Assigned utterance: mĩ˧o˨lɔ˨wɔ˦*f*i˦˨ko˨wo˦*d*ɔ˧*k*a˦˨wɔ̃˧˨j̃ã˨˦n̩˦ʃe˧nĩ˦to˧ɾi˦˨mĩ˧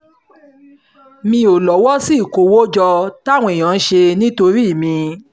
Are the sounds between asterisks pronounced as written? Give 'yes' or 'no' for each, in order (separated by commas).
no, no, no